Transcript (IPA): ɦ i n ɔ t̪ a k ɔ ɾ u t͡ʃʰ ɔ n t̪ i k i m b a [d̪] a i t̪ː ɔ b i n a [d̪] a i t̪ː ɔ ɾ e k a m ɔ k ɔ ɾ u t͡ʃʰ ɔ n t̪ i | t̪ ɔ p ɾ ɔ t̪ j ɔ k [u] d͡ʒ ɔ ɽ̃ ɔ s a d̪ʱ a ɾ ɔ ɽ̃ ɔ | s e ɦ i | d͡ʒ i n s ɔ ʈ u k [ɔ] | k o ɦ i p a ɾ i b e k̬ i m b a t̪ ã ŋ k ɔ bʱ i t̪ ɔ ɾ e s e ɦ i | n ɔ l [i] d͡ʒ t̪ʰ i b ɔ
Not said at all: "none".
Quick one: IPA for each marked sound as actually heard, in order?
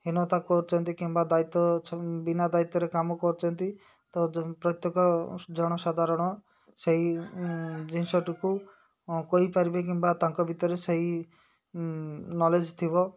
d̪, d̪, ɔ, u, e

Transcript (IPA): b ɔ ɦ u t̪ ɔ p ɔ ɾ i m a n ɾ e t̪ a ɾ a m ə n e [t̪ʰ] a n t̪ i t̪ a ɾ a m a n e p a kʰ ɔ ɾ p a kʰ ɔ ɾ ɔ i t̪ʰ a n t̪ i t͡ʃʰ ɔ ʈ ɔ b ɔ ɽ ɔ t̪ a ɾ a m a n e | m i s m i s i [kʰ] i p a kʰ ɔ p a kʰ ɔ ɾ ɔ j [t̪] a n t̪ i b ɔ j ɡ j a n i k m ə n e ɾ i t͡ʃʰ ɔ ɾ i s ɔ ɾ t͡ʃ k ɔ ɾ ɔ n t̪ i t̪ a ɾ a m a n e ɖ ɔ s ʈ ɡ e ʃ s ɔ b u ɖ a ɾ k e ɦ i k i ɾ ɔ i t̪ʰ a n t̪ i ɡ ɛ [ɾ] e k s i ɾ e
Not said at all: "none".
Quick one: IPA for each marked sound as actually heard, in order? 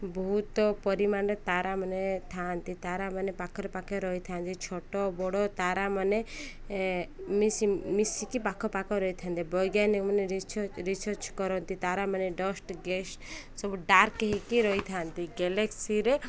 t̪ʰ, k, t̪ʰ, l

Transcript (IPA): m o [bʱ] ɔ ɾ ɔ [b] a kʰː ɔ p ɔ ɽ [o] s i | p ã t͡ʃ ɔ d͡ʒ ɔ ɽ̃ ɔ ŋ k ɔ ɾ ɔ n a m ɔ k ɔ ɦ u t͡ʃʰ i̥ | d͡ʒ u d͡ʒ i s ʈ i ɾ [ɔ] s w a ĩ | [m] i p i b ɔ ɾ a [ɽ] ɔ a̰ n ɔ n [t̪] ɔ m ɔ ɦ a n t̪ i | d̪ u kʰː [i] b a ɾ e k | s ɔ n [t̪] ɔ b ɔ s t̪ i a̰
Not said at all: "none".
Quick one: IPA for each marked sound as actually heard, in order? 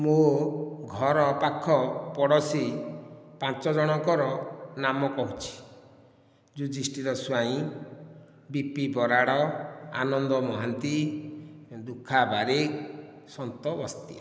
ɡʱ, p, ɔ, ɔ, b, ɽ, d̪, a, t̪

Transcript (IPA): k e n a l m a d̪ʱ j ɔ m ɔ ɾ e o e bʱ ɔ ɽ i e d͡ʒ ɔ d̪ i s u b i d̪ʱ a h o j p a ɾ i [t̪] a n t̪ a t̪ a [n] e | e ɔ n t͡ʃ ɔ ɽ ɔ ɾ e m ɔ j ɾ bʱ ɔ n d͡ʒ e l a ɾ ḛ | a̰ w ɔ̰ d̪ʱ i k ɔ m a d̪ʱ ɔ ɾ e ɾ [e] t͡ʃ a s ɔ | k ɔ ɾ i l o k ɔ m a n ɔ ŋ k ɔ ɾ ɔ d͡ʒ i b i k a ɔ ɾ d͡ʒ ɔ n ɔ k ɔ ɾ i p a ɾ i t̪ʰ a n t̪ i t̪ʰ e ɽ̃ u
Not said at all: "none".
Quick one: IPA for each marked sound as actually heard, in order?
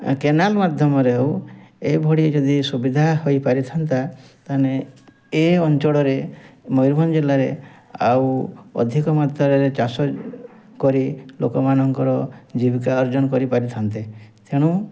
t̪ʰ, n, e

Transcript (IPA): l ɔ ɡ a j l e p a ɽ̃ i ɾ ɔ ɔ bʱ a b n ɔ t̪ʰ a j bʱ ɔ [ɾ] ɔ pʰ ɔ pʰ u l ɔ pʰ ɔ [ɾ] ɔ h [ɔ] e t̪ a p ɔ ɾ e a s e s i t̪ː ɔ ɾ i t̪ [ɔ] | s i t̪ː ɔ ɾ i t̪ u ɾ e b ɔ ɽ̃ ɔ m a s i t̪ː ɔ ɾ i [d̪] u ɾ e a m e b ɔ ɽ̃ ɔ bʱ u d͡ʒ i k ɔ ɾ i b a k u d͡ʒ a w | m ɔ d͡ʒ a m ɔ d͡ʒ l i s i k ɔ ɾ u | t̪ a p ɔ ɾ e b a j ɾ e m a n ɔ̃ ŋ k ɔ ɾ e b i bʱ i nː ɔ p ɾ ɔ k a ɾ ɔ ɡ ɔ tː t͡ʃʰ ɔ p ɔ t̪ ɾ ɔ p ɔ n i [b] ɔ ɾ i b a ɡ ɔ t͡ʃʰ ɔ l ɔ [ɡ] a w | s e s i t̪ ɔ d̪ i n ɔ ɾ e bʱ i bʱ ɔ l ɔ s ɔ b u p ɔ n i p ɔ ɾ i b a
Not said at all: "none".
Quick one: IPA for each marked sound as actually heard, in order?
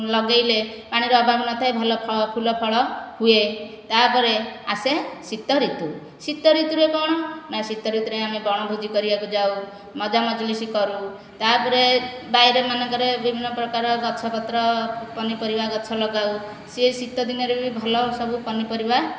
l, ɭ, u, u, t̪, p, ɡ

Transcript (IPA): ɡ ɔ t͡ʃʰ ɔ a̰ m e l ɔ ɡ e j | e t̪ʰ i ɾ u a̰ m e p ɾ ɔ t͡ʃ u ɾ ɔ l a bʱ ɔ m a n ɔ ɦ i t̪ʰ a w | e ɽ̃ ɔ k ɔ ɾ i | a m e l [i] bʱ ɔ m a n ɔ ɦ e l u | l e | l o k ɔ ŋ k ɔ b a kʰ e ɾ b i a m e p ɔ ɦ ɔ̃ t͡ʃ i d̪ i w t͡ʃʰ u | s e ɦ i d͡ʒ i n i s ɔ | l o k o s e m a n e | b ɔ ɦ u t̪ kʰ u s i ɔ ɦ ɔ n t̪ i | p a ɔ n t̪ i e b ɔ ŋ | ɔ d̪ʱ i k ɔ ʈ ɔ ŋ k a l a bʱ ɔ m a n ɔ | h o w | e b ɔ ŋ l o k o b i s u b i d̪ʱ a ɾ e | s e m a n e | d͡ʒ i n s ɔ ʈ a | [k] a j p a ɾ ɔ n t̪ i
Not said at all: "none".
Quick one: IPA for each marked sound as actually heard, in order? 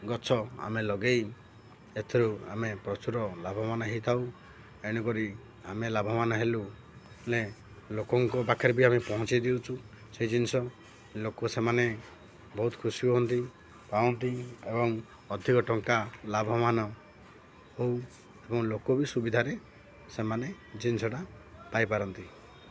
a, p

